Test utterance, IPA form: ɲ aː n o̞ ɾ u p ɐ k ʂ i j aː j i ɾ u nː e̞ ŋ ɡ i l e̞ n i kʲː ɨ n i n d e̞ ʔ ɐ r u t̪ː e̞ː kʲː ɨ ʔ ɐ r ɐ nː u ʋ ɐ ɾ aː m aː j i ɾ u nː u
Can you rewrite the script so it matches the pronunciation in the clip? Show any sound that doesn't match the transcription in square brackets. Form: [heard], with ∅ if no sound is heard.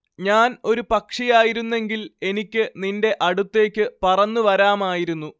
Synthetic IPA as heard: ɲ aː n o̞ ɾ u p ɐ k ʂ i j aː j i ɾ u nː e̞ ŋ ɡ i l e̞ n i kʲː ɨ n i n d e̞ ʔ ɐ [ɽ] u t̪ː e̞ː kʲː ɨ [p] ɐ r ɐ nː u ʋ ɐ ɾ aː m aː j i ɾ u nː u